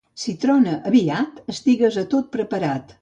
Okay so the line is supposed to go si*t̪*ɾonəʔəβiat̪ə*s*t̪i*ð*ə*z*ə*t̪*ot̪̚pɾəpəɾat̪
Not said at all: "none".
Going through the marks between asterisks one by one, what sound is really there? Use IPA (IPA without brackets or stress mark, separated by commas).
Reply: t̪, s, ɣ, z, t̪